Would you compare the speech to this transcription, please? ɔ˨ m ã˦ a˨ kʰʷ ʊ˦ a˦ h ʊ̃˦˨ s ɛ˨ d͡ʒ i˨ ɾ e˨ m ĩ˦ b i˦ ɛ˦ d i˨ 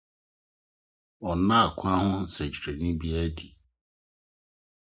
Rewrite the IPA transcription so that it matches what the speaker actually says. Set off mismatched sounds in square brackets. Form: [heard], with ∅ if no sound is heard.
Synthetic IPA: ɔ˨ [n] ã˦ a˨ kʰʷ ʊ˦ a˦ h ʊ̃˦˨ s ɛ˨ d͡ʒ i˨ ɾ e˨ [n] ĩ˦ b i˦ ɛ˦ d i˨